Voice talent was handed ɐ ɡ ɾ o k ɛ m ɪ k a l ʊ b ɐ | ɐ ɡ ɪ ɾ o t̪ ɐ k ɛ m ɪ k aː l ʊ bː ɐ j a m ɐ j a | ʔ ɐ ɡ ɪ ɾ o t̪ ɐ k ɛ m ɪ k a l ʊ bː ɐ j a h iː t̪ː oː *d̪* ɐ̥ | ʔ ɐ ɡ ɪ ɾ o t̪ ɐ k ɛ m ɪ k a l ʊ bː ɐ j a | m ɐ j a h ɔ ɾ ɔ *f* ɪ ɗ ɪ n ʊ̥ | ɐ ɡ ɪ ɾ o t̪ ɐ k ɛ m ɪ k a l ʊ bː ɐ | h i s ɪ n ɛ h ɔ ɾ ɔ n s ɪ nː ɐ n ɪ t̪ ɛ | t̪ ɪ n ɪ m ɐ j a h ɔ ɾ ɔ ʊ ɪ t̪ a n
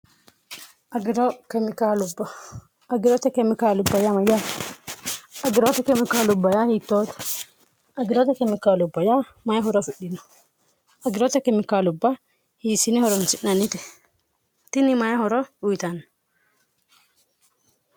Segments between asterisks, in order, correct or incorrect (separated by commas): incorrect, correct